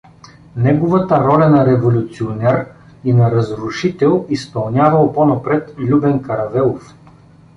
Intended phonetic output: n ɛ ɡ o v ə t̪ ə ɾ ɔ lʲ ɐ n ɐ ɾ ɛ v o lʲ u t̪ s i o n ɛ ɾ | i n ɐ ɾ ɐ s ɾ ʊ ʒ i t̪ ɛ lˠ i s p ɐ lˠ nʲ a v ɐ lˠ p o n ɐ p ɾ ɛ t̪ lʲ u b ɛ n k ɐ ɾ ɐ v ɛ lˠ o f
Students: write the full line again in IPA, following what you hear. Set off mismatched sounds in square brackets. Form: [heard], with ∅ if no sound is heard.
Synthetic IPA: n ɛ ɡ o v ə t̪ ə ɾ ɔ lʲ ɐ n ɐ ɾ ɛ v o lʲ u t̪ s i o n ɛ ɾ | i n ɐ ɾ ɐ [z] ɾ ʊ [ʃ] i t̪ ɛ lˠ i s p ɐ lˠ nʲ a v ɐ lˠ p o n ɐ p ɾ ɛ t̪ lʲ u b ɛ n k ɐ ɾ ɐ v ɛ lˠ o f